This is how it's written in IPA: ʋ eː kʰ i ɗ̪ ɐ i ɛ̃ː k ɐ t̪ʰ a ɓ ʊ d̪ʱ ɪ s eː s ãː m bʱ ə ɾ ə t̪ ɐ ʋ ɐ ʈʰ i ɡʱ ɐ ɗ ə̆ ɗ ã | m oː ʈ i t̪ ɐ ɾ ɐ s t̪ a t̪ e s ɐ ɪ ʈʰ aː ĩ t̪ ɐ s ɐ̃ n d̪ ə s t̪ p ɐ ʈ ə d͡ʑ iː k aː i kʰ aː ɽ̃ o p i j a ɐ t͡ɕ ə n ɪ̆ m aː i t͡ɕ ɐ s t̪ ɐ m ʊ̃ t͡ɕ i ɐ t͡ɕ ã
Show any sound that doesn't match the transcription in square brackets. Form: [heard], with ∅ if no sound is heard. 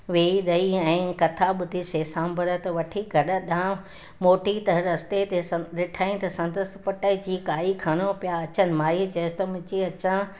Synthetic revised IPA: ʋ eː [∅] i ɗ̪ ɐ i ɛ̃ː k ɐ t̪ʰ a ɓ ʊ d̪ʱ [i] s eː s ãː m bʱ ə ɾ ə t̪ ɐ ʋ ɐ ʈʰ i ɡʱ ɐ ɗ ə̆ ɗ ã | m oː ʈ i t̪ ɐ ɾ ɐ s t̪ [e] t̪ e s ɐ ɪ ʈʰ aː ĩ t̪ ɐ s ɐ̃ n d̪ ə s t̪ p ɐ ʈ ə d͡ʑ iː k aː i kʰ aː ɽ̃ o p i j a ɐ t͡ɕ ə n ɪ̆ m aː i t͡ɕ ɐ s t̪ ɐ m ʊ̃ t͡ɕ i ɐ t͡ɕ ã